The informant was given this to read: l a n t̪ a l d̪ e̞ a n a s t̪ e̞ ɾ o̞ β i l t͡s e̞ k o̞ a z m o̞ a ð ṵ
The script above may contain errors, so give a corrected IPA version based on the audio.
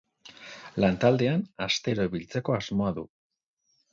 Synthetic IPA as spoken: l a n t̪ a l d̪ e̞ a n a s t̪ e̞ ɾ o̞ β i l t͡s e̞ k o̞ a z m o̞ a ð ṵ